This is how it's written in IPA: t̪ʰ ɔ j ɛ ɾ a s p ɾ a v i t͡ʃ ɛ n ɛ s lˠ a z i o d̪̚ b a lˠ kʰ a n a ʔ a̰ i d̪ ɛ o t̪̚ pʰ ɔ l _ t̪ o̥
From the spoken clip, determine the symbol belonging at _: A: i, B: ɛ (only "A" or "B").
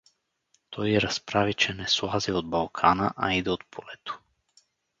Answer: B